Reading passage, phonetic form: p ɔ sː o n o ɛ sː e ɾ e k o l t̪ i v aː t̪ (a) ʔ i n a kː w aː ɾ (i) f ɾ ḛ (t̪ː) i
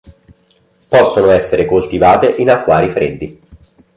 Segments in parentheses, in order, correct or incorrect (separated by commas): incorrect, correct, incorrect